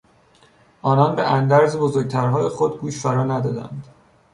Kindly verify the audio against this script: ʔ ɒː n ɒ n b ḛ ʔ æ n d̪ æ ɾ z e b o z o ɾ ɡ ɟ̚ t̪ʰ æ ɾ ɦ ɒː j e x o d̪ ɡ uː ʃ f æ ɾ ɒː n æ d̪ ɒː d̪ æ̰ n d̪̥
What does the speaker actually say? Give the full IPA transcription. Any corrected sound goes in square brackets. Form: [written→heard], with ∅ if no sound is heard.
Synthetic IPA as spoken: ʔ ɒː n ɒ n b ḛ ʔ æ n d̪ æ ɾ z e b o z o ɾ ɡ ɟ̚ t̪ʰ æ ɾ ɦ ɒː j e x o d̪ ɡ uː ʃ f æ ɾ ɒː n æ d̪ ɒː d̪ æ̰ n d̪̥

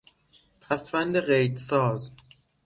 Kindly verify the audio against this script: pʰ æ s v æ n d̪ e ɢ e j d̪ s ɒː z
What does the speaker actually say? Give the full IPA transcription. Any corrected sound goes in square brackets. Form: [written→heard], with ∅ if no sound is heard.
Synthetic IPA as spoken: pʰ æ s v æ n d̪ e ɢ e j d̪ s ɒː z

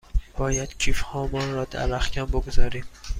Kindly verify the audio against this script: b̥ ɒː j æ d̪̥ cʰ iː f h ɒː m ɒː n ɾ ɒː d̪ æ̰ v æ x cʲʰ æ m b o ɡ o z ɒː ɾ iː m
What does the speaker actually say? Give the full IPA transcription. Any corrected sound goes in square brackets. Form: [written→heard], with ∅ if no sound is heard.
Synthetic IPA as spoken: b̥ ɒː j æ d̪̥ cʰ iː f h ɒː m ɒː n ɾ ɒː d̪ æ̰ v æ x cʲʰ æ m b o ɡ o z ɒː ɾ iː m

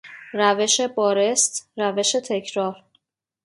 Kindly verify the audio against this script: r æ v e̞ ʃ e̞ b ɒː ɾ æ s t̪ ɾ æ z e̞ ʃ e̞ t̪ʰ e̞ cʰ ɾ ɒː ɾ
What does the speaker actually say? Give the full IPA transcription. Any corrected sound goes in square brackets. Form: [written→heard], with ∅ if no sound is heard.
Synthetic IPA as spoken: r æ v e̞ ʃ e̞ b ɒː ɾ [æ→e] s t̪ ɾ æ [z→v] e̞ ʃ e̞ t̪ʰ e̞ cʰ ɾ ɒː ɾ

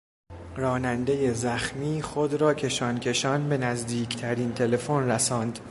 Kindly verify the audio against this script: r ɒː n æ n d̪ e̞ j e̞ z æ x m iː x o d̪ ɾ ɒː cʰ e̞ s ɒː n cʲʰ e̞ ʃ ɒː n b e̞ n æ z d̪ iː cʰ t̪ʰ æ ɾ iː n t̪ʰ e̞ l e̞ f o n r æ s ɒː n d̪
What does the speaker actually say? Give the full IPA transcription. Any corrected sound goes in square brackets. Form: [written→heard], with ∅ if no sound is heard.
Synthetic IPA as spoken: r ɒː n æ n d̪ e̞ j e̞ z æ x m iː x o d̪ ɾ ɒː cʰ e̞ [s→ʃ] ɒː n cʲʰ e̞ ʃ ɒː n b e̞ n æ z d̪ iː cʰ t̪ʰ æ ɾ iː n t̪ʰ e̞ l e̞ f o n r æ s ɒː n d̪

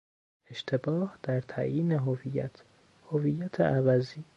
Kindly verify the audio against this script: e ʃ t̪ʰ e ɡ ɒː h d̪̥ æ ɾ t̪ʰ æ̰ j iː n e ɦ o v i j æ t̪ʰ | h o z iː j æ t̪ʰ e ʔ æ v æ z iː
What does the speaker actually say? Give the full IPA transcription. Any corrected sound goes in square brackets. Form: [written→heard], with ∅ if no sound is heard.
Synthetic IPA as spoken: e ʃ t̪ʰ e [ɡ→b] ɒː h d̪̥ æ ɾ t̪ʰ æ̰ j iː n e ɦ o v i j æ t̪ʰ | h o [z→v] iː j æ t̪ʰ e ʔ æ v æ z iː

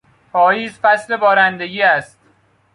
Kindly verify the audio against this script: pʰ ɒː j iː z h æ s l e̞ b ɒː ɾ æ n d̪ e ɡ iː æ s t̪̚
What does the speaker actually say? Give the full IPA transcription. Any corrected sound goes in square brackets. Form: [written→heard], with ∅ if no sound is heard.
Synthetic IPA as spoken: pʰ ɒː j iː z [h→f] æ s l e̞ b ɒː ɾ æ n d̪ e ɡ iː æ s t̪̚

